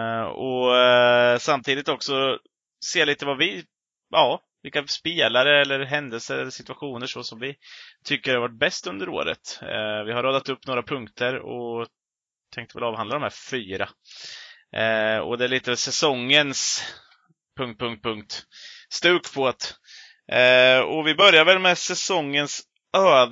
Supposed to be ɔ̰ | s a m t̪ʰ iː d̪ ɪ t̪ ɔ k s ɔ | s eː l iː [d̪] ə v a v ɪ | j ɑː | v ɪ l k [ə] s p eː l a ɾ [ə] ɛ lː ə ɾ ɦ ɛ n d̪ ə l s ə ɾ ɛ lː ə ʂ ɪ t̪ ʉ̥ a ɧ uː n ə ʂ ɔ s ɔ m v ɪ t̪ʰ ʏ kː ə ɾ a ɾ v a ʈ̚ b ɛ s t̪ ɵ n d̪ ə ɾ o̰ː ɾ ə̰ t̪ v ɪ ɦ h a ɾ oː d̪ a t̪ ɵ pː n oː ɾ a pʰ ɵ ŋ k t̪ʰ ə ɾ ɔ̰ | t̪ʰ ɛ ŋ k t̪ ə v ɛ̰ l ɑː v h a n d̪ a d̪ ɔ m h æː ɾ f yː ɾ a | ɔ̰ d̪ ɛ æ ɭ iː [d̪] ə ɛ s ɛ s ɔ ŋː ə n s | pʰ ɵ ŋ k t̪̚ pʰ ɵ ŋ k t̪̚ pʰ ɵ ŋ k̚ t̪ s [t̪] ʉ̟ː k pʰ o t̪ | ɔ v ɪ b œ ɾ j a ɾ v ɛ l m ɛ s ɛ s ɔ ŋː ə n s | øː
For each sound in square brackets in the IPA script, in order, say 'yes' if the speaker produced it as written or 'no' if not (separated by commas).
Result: no, no, yes, no, yes